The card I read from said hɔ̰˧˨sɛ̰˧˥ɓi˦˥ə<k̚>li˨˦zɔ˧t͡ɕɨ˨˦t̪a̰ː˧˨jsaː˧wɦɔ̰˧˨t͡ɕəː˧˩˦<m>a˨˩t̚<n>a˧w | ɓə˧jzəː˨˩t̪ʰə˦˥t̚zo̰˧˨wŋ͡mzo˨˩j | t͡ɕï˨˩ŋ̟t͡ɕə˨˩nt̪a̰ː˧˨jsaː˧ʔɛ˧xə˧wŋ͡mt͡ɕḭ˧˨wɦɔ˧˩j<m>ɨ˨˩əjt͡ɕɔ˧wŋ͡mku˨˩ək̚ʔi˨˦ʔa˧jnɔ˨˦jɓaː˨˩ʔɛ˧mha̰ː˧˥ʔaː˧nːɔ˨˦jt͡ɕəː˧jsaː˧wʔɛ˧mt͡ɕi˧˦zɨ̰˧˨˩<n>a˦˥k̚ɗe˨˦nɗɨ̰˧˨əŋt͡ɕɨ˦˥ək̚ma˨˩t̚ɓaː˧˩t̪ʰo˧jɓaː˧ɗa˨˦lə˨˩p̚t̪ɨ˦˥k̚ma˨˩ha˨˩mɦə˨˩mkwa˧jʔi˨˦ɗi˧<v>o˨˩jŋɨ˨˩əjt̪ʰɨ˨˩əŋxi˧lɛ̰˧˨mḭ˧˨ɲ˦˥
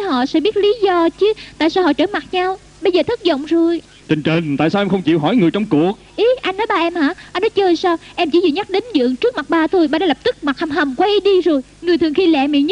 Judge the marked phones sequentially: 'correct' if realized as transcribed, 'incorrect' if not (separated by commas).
incorrect, correct, incorrect, incorrect, incorrect, incorrect